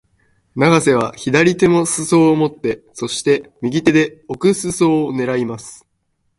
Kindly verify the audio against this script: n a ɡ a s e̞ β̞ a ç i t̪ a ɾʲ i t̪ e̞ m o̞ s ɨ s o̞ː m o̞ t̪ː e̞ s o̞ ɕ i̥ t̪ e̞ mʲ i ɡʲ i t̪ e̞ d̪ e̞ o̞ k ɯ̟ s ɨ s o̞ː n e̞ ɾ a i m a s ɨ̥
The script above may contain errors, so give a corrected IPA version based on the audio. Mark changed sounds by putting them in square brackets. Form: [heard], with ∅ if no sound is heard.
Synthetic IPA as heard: n a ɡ a s e̞ β̞ a ç i [d̪] a ɾʲ i t̪ e̞ m o̞ s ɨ s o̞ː m o̞ t̪ː e̞ s o̞ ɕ i̥ t̪ e̞ mʲ i ɡʲ i t̪ e̞ d̪ e̞ o̞ k ɯ̟ s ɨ s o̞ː n e̞ ɾ a i m a s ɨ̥